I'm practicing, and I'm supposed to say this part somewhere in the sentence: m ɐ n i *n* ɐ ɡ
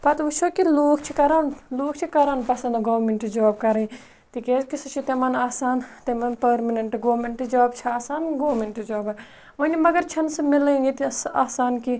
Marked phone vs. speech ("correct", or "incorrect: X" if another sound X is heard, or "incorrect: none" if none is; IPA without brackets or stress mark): incorrect: m